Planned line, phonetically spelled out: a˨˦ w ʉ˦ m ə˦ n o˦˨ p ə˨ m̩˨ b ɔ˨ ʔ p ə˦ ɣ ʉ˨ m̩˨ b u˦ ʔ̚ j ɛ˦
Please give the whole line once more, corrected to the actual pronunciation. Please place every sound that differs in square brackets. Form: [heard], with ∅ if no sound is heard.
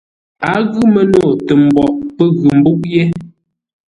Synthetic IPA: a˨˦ [ɣ] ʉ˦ m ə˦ n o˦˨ [t] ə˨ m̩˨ b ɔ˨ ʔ p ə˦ ɣ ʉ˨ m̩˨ b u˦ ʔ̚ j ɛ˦